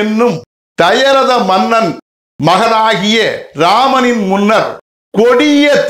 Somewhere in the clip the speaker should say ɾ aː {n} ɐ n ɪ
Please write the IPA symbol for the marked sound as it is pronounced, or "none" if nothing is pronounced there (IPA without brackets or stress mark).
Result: m